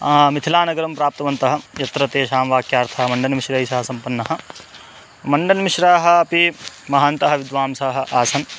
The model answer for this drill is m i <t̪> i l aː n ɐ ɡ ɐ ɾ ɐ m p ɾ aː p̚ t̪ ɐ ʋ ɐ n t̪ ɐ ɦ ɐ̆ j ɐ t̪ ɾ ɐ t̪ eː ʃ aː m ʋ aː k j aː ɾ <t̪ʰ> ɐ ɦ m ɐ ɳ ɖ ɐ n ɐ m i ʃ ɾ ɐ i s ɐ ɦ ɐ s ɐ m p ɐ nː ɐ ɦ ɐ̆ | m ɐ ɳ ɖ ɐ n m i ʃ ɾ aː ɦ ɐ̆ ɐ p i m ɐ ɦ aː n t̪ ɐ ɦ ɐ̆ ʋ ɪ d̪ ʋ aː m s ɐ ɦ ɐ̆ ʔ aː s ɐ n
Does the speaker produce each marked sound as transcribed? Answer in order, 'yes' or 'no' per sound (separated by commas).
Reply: no, yes